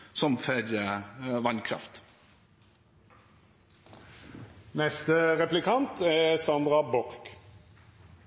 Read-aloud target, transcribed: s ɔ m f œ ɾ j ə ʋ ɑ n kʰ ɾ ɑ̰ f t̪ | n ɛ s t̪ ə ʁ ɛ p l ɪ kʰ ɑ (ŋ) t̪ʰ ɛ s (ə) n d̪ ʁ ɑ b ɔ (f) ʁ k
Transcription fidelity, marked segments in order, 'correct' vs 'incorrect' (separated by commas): incorrect, incorrect, incorrect